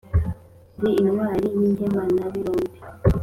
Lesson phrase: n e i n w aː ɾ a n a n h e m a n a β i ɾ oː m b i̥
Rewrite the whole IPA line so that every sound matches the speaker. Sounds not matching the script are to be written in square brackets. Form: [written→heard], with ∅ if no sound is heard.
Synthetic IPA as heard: [n→d] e i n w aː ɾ [a→i] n [a→i] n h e m a n a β i ɾ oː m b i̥

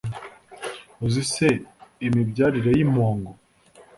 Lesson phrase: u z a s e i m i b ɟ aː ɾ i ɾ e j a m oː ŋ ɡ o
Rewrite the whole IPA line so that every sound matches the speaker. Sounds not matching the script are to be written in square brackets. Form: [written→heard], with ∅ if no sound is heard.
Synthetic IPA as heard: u z [a→i] s e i m i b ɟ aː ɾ i ɾ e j [a→i] m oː ŋ ɡ o

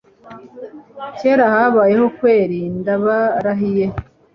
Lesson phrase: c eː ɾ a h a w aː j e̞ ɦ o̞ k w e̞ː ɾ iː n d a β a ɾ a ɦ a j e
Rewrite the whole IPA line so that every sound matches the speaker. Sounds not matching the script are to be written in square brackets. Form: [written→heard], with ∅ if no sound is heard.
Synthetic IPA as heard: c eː ɾ a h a [w→β] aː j e̞ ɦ o̞ k w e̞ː ɾ iː n d a β a ɾ a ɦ [a→i] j e

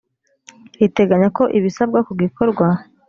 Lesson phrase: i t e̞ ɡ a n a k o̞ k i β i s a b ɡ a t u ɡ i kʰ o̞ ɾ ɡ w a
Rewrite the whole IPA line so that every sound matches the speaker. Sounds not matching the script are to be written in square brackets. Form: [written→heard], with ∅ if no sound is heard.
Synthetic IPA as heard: i t e̞ ɡ a [n→ɲ] a k o̞ [k→ʔ] i β i s a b ɡ a [t→k] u ɡ i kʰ o̞ ɾ ɡ w a

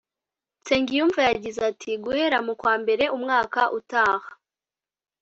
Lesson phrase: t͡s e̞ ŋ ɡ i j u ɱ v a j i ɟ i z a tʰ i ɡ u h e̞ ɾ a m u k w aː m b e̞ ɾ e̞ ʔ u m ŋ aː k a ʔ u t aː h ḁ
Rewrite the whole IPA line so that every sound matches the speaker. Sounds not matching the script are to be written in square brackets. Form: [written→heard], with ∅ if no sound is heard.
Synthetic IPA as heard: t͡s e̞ ŋ ɡ i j u ɱ v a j [i→a] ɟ i z a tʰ i ɡ u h e̞ ɾ a m u k w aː m b e̞ ɾ e̞ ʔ u m ŋ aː k a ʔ u t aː h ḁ

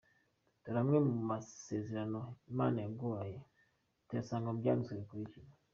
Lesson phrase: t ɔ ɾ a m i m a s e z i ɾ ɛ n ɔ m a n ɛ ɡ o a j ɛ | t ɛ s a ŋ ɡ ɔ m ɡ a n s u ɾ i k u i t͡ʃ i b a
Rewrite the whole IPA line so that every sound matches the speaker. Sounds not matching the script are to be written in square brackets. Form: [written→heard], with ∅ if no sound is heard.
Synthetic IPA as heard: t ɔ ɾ a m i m a s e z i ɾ [ɛ→a] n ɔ m a n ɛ ɡ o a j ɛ | t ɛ s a ŋ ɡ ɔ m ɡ a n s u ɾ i k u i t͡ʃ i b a

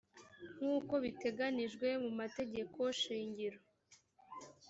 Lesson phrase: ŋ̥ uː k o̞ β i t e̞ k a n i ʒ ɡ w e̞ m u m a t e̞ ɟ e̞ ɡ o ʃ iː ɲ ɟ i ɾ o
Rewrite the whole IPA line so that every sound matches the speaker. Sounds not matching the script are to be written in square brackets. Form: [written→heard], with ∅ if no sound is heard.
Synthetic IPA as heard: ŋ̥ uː k o̞ β i t e̞ [k→ɡ] a n i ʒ ɡ w e̞ m u m a t e̞ ɟ e̞ [ɡ→k] o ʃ iː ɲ ɟ i ɾ o

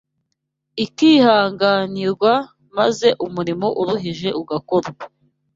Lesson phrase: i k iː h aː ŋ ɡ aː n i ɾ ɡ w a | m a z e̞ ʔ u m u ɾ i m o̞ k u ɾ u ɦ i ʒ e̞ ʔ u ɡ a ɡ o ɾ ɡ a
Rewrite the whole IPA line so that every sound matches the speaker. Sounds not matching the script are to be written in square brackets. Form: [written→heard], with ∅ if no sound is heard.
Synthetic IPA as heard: i k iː h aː ŋ ɡ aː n i ɾ ɡ w a | m a z e̞ ʔ u m u ɾ i m o̞ [k→ʔ] u ɾ u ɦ i ʒ e̞ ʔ u ɡ a [ɡ→k] o ɾ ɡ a

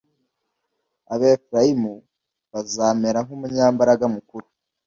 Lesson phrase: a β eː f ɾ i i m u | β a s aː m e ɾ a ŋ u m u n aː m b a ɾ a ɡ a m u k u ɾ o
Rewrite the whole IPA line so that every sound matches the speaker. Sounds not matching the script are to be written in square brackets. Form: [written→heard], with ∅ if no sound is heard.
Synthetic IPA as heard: a β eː f ɾ [i→a] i m u | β a [s→z] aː m e ɾ a ŋ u m u [n→ɲ] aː m b a ɾ a ɡ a m u k u ɾ [o→u]

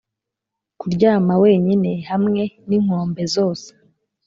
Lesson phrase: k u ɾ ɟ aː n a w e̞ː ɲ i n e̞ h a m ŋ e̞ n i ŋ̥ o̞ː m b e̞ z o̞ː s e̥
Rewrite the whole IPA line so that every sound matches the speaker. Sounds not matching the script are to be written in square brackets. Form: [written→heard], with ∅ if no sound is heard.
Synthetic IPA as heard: k u ɾ ɟ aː [n→m] a w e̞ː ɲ i n e̞ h a m ŋ e̞ n i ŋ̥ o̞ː m b e̞ z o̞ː s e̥

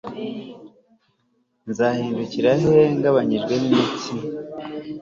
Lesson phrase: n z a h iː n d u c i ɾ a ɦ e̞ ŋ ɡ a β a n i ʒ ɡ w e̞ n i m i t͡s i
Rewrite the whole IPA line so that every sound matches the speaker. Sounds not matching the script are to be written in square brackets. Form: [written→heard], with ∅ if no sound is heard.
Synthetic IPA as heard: n z a h iː n d u c i ɾ a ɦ e̞ ŋ ɡ a β a [n→ɲ] i ʒ ɡ w e̞ n i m i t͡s i

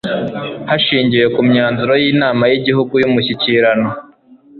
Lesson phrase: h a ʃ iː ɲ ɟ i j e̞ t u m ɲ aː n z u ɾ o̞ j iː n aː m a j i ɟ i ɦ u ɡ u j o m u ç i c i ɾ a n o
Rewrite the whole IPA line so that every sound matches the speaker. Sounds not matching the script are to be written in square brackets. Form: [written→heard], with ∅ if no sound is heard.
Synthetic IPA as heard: h a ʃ iː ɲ ɟ i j e̞ [t→k] u m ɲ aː n z u ɾ o̞ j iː n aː m a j i ɟ i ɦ u ɡ u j [o→u] m u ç i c i ɾ a n o

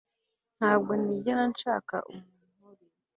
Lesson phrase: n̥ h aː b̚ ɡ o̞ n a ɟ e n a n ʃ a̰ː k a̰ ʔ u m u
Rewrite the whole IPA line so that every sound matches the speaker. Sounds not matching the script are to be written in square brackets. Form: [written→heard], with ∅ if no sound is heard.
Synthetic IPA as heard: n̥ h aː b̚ ɡ o̞ n [a→i] ɟ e n a n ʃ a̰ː k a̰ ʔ u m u

